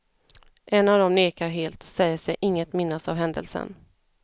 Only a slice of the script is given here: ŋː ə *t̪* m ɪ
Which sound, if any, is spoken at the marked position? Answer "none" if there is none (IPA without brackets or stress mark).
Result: t̪